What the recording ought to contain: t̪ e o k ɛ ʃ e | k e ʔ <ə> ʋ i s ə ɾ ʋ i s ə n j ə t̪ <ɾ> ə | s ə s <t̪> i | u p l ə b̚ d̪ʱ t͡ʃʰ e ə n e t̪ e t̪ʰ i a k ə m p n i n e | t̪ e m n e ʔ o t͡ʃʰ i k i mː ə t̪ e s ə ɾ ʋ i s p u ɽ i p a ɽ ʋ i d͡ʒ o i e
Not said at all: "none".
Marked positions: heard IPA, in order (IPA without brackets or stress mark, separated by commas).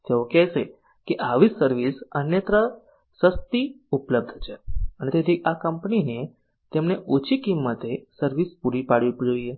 a, ɾ, t̪